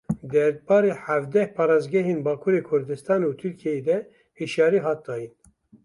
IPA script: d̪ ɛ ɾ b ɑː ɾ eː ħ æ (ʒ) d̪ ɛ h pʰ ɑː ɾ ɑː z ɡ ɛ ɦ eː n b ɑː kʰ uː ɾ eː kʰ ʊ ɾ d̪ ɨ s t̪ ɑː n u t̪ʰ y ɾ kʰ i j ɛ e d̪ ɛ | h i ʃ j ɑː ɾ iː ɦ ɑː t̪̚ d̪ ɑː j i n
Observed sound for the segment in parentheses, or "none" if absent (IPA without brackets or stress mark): v